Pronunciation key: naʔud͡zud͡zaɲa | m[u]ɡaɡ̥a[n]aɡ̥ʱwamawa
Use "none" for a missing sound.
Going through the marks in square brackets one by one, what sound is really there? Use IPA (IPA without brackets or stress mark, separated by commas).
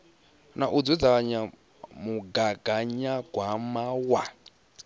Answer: u, ɲ